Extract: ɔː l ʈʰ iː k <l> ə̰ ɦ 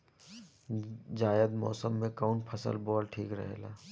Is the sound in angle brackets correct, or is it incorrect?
incorrect